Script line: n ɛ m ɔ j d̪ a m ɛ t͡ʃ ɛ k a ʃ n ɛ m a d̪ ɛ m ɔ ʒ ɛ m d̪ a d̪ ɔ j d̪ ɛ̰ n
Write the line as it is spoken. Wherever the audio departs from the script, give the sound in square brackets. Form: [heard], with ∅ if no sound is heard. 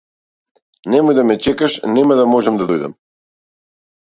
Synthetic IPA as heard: n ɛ m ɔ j d̪ a m ɛ t͡ʃ ɛ k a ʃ n ɛ m a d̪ [a] m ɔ ʒ ɛ m d̪ a d̪ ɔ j d̪ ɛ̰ [m]